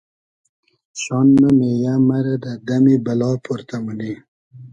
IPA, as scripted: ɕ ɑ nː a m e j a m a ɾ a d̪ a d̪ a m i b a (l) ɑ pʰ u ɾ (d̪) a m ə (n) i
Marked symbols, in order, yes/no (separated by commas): yes, no, yes